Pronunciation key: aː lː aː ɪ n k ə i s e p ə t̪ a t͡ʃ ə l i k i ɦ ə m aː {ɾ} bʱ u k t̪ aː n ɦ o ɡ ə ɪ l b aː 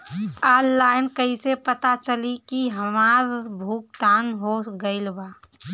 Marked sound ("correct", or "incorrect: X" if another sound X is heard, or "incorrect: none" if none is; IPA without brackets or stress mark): correct